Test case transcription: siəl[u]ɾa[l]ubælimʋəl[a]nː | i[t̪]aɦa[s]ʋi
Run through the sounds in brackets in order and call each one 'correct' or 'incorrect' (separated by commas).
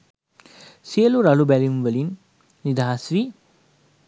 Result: correct, correct, incorrect, incorrect, correct